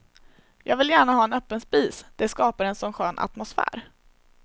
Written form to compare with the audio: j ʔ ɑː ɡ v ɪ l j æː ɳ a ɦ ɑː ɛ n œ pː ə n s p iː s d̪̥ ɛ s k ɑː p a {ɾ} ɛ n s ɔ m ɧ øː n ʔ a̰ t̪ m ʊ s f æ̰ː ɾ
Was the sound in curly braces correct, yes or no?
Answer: yes